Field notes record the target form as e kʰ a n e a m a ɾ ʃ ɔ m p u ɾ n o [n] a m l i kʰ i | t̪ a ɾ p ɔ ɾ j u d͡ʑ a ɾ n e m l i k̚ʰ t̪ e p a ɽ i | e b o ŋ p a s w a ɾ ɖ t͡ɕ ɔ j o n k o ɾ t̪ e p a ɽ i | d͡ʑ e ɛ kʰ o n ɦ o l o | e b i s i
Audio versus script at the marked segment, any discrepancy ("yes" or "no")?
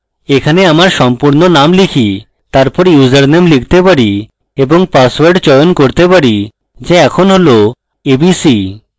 no